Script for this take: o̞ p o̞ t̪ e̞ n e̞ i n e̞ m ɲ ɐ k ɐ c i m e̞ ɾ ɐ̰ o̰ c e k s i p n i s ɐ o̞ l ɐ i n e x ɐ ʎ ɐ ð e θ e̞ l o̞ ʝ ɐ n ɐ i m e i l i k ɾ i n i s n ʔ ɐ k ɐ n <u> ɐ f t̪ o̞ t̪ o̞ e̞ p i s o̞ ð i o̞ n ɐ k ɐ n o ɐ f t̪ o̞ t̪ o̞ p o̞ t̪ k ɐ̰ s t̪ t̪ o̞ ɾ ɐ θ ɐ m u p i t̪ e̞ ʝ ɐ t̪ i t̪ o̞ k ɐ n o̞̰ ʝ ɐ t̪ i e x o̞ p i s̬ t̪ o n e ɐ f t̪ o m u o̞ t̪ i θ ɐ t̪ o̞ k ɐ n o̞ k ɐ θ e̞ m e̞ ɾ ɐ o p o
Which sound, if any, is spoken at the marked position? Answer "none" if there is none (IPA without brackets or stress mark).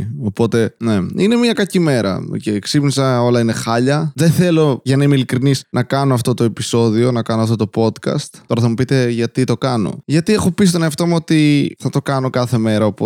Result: o